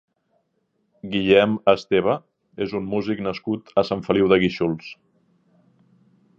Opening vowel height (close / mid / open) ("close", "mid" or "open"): close